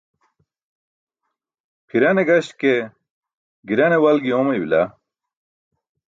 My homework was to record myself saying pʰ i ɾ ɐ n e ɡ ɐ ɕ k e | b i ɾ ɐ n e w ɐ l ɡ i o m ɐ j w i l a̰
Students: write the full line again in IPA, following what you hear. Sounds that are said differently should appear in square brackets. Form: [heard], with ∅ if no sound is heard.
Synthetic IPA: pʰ i ɾ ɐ n e ɡ ɐ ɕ k e | [ɡ] i ɾ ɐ n e w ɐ l ɡ i o m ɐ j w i l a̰